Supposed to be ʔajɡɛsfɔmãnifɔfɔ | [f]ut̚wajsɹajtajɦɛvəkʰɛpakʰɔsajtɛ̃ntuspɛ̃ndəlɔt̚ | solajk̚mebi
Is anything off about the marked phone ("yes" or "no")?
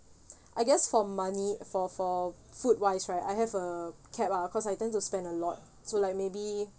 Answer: no